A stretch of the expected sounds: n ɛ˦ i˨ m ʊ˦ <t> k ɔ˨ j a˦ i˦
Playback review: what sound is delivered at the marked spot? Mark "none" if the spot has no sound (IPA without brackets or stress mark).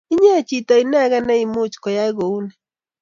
t͡ʃ